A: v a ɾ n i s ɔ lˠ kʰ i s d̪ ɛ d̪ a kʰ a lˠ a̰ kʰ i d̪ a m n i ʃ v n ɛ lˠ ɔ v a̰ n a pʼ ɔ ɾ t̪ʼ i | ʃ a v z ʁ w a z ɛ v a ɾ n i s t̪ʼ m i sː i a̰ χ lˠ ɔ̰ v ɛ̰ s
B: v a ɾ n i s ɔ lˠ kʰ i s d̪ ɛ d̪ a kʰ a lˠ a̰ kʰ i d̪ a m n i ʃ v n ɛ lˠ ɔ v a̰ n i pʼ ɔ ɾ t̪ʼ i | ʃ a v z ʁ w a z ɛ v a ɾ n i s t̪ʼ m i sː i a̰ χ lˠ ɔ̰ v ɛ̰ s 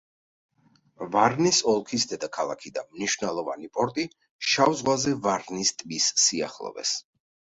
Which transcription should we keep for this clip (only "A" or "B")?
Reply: B